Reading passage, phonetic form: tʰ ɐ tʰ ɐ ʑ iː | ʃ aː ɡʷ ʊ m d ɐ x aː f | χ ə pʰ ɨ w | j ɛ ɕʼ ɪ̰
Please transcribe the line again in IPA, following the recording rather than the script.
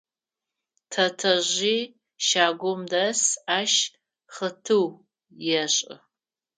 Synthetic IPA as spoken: tʰ ɐ tʰ ɐ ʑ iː | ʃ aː ɡʷ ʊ m d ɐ s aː ʃ | χ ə tʰ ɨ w | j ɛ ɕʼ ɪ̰

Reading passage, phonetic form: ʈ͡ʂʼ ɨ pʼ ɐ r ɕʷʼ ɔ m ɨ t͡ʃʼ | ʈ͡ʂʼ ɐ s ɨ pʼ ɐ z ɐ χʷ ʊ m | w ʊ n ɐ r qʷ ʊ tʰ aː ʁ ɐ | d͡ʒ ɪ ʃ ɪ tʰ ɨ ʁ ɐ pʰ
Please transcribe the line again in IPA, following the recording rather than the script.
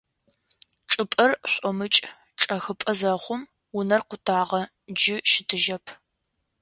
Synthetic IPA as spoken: ʈ͡ʂʼ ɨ pʼ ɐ r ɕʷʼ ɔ m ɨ t͡ʃʼ | ʈ͡ʂʼ ɐ x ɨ pʼ ɐ z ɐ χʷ ʊ m | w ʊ n ɐ r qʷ ʊ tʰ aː ʁ ɐ | d͡ʒ ɪ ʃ ɪ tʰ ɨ ʒ ɐ pʰ

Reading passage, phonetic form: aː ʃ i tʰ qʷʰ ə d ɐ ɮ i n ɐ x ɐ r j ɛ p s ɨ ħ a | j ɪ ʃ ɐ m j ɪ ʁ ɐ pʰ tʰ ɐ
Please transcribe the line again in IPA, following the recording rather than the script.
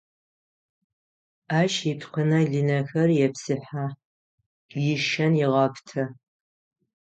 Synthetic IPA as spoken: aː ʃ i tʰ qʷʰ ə n ɐ ɮ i n ɐ x ɐ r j ɛ p s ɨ ħ a | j ɪ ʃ ɐ n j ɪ ʁ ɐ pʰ tʰ ɐ

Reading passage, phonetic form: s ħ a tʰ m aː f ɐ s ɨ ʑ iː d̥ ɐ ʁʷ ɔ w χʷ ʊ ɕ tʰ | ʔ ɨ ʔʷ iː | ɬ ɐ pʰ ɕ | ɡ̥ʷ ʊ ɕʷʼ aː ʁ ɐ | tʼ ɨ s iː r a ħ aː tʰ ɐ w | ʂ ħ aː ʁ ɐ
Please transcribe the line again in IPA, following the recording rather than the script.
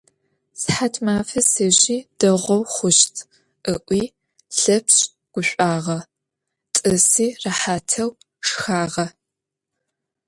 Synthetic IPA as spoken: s ħ a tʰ m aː f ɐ s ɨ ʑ iː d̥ ɐ ʁʷ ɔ w χʷ ʊ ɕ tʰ | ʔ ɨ ʔʷ iː | ɬ ɐ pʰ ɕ | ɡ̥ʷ ʊ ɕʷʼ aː ʁ ɐ | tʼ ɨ s iː r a ħ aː tʰ ɐ w | ʂ x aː ʁ ɐ

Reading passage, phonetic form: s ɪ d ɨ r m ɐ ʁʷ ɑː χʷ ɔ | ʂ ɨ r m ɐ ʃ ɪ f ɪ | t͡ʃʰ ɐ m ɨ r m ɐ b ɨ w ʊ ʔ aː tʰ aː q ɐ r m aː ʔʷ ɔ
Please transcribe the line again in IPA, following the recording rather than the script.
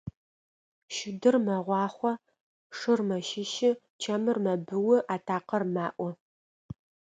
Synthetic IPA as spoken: ʃ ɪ d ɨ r m ɐ ʁʷ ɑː χʷ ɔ | ʂ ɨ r m ɐ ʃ ɪ ʃ ɪ | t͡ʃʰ ɐ m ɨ r m ɐ b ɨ w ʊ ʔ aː tʰ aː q ɐ r m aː ʔʷ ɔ

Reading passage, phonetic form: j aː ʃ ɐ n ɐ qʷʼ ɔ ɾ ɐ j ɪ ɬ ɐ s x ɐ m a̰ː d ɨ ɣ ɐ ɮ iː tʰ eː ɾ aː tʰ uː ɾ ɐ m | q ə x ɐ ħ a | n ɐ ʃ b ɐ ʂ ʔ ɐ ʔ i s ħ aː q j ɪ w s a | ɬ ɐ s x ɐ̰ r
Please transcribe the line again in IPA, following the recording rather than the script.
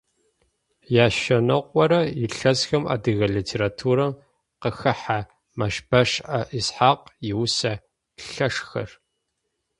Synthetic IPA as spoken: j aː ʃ ɐ n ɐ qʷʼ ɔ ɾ ɐ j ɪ ɬ ɐ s x ɐ m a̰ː d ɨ ɣ ɐ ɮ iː tʰ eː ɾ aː tʰ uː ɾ ɐ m | q ə x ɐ ħ a | m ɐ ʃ b ɐ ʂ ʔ ɐ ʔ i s ħ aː q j ɪ w s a | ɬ ɐ ʂ x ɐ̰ r

